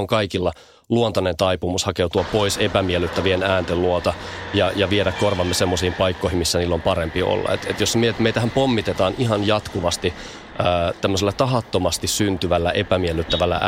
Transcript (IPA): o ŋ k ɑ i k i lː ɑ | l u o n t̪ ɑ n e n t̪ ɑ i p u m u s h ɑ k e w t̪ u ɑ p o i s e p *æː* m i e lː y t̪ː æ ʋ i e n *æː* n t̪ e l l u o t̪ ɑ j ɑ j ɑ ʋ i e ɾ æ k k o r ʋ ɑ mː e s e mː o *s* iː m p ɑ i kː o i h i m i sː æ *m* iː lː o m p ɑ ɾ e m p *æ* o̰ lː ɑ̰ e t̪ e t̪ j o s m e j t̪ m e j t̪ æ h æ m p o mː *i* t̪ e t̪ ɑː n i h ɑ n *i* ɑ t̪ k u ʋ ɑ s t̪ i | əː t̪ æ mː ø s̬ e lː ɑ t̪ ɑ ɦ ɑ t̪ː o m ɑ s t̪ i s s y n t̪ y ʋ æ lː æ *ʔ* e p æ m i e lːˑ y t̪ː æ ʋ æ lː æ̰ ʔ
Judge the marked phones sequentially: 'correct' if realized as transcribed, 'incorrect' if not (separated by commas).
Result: incorrect, correct, correct, incorrect, incorrect, correct, incorrect, correct